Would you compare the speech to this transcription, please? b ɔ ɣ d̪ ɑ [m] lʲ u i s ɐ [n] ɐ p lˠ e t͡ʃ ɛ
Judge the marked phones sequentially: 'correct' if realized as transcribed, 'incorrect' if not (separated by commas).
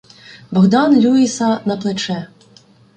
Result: incorrect, correct